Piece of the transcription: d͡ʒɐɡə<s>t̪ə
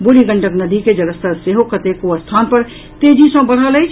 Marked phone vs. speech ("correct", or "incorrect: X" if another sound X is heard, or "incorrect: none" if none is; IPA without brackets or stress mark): correct